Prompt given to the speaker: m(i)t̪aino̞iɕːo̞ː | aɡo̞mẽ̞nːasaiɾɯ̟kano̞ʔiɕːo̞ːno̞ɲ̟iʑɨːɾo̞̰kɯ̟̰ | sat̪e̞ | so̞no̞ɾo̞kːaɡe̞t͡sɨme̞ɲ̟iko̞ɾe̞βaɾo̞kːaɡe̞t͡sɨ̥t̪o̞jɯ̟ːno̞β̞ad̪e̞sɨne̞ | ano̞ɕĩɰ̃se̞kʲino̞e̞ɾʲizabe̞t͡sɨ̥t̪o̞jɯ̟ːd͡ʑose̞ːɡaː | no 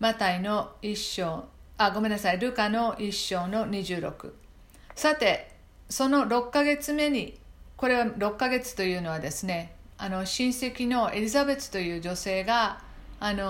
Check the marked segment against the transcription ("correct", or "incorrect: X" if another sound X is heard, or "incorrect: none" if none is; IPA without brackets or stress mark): incorrect: a